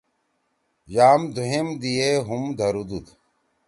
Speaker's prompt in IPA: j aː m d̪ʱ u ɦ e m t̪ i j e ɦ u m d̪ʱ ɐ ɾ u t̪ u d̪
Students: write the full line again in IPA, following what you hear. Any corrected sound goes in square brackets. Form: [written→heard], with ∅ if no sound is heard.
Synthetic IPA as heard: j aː m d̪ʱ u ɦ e m [t̪→d̪] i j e ɦ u m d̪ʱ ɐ ɾ u [t̪→d̪] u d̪